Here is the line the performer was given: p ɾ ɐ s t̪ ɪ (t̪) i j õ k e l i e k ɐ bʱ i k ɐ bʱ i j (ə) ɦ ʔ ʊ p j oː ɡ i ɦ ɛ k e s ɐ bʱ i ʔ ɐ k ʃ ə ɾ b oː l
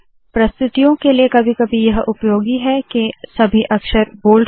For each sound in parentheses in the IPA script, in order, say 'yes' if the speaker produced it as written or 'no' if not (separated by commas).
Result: yes, no